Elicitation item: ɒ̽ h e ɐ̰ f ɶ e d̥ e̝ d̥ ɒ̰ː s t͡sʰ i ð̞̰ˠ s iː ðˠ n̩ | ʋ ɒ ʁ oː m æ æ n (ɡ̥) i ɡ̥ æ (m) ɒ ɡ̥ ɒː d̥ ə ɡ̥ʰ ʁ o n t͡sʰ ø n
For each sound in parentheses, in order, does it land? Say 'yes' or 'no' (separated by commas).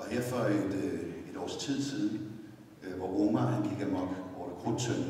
yes, yes